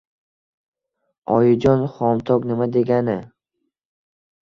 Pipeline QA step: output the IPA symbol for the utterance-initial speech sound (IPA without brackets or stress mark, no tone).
ɒ